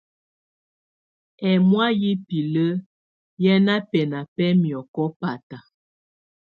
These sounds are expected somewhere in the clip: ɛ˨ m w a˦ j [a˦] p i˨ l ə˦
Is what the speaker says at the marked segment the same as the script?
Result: no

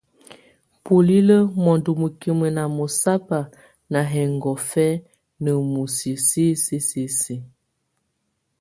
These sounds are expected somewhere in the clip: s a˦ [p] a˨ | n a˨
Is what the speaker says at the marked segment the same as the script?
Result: yes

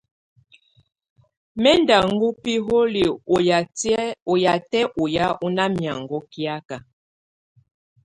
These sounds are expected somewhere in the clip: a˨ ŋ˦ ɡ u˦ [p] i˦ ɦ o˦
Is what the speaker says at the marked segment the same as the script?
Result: yes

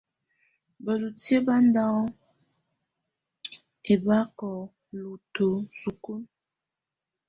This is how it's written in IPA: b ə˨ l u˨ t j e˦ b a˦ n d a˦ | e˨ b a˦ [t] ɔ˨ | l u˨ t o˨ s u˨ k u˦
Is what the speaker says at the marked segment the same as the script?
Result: no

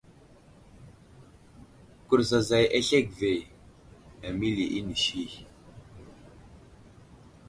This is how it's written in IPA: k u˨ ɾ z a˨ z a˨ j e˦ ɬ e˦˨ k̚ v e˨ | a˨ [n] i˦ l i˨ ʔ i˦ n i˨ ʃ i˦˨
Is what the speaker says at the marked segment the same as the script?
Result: no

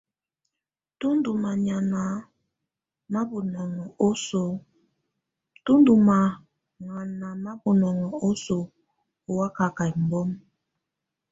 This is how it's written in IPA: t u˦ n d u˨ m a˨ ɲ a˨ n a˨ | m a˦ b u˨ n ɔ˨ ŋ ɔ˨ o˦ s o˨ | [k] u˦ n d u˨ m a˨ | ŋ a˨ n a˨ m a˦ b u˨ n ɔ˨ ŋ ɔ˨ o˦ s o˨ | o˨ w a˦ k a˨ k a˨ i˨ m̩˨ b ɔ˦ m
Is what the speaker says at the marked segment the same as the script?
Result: no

